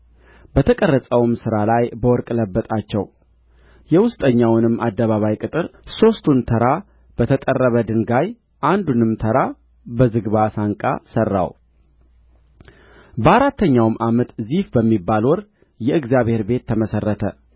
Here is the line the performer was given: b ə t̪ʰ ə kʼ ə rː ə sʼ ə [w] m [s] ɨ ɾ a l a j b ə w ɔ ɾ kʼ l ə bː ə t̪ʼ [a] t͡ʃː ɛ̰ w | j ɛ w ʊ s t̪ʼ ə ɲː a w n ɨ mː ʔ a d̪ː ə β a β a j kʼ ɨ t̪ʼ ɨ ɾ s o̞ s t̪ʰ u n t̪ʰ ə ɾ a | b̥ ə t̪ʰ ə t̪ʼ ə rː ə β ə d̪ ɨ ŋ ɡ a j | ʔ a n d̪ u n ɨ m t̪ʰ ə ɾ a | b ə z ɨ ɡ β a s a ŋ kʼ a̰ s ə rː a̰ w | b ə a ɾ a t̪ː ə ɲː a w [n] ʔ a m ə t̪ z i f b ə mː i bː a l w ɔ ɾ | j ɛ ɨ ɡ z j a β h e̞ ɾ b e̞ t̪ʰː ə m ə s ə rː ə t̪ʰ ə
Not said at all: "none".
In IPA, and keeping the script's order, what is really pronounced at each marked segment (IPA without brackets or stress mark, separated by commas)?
w, s, a, m